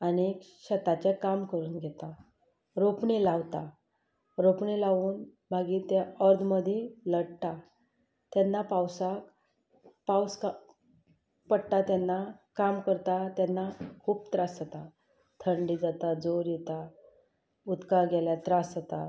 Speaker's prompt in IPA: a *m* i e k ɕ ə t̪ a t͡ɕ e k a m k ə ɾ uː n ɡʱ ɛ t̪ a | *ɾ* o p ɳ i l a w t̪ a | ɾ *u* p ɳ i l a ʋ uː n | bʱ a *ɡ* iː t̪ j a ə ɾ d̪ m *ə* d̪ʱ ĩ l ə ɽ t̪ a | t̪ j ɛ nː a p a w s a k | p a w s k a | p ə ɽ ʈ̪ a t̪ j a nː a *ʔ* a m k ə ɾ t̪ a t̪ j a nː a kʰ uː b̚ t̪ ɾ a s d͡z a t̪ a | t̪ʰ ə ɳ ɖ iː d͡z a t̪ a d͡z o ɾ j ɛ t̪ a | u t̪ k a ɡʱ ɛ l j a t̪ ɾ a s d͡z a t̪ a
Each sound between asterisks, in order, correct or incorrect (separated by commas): incorrect, correct, incorrect, correct, correct, incorrect